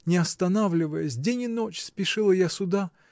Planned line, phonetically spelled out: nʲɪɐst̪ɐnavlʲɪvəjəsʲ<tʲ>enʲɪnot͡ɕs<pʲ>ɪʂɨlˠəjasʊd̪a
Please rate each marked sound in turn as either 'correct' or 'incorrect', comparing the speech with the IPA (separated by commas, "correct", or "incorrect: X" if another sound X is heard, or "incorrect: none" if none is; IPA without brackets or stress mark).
incorrect: dʲ, correct